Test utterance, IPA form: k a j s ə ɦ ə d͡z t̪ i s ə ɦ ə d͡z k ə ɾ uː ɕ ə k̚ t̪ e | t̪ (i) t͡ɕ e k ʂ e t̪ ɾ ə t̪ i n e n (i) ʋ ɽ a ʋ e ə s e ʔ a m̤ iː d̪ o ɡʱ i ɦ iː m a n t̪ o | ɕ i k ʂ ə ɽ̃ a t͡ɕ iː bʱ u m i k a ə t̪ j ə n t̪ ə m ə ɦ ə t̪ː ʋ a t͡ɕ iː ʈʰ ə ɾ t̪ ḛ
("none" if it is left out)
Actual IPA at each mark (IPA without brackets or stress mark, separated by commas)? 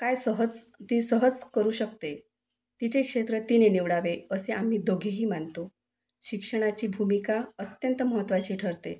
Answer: i, i